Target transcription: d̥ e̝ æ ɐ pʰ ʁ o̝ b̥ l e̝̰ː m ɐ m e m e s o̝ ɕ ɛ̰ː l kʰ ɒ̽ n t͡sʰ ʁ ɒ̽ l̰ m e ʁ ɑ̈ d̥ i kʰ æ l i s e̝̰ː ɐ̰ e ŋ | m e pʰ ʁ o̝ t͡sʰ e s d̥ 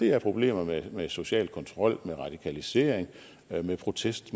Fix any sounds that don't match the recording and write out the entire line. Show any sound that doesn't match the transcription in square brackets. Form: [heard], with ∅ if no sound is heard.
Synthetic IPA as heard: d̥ e̝ æ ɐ pʰ ʁ o̝ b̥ l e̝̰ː m ɐ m e m e s o̝ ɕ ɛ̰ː l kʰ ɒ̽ n t͡sʰ ʁ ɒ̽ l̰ m e ʁ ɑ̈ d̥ i kʰ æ l i s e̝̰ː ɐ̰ e ŋ | m e pʰ ʁ o̝ t͡sʰ e s d̥